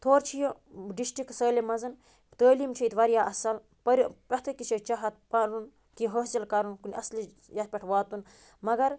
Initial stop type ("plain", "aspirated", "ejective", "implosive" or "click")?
aspirated